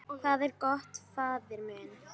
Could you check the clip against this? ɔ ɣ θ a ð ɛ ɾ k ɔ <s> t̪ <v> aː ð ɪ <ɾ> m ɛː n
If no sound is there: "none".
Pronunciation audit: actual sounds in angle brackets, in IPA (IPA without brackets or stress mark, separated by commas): h, f, ɾ